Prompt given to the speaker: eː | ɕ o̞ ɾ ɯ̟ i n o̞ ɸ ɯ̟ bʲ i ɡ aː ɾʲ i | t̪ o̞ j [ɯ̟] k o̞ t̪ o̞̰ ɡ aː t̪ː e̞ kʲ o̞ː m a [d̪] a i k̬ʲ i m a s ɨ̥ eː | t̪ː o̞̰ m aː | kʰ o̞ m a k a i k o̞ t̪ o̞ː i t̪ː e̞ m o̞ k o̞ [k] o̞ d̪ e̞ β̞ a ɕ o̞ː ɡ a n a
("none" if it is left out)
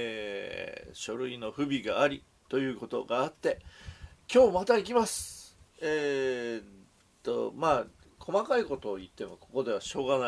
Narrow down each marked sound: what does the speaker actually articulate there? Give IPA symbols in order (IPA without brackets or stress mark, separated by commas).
ɯ̟ː, t̪, k